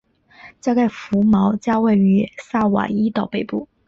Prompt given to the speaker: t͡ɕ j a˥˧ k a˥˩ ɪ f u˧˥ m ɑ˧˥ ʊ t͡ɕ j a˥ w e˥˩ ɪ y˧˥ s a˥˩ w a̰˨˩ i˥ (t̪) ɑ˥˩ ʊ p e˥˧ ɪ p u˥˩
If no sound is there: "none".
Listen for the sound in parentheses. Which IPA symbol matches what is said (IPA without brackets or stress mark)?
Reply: t̪